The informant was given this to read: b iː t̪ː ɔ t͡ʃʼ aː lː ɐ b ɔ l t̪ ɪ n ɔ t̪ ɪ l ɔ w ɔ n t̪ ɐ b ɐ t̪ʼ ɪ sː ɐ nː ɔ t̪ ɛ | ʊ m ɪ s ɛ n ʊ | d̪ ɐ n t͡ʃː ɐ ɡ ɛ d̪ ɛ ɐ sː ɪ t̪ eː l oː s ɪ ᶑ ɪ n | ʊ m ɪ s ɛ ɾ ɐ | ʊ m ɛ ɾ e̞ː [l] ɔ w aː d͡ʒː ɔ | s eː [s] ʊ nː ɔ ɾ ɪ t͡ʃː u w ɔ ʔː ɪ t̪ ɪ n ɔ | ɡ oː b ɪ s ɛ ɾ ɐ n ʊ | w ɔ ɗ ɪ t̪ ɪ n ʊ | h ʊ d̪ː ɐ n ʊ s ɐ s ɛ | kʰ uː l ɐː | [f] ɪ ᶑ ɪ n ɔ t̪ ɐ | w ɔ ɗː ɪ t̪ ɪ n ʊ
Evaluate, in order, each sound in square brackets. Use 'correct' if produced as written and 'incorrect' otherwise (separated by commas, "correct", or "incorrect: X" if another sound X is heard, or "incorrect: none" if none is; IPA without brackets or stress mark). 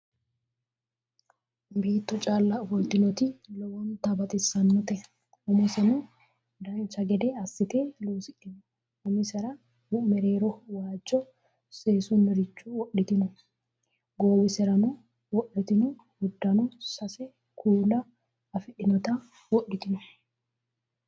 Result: incorrect: ɾ, correct, correct